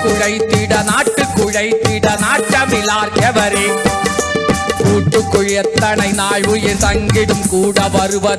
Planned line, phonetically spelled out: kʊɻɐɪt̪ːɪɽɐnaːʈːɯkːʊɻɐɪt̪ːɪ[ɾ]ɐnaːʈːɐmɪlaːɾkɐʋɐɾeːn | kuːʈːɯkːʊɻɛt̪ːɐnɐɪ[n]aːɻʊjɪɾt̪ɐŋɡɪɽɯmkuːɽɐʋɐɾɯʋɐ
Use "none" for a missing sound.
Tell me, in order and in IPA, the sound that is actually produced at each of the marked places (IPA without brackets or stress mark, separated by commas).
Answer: ɽ, n